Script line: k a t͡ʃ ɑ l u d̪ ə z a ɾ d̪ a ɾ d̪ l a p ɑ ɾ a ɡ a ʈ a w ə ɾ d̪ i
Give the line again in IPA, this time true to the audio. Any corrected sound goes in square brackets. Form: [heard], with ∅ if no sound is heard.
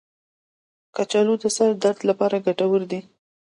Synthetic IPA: k a t͡ʃ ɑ l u d̪ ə [s] a ɾ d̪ a ɾ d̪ l a p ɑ ɾ a ɡ a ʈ a w ə ɾ d̪ i

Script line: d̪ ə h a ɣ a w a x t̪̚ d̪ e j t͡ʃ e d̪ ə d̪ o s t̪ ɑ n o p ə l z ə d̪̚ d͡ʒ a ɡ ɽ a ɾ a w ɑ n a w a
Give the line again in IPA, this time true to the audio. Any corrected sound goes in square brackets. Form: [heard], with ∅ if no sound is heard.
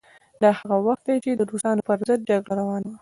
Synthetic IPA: d̪ [ɑ] h a ɣ a w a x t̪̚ d̪ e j t͡ʃ e d̪ ə d̪ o s t̪ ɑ n o p ə [ɾ] z ə d̪̚ d͡ʒ a ɡ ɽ a ɾ a w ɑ n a w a

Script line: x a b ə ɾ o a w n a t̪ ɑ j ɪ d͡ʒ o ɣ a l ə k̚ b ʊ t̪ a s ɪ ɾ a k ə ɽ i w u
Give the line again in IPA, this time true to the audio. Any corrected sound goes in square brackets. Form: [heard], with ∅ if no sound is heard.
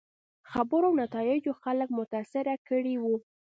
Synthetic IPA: x a b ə ɾ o a w n a t̪ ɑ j ɪ d͡ʒ o [x] a l ə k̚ [m] ʊ t̪ a s ɪ ɾ a k ə ɽ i w u

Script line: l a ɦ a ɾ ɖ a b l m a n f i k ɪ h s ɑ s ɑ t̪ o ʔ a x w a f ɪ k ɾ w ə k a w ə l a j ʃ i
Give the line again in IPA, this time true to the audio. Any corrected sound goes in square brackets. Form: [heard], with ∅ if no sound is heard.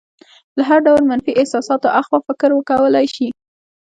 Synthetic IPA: l a ɦ a ɾ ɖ a [w] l m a n f i [ʔ] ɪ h s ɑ s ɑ t̪ o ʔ a x w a f ɪ k ɾ w ə k a w ə l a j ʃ i

